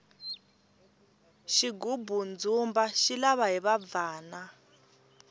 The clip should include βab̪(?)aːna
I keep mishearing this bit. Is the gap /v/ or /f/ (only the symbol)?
v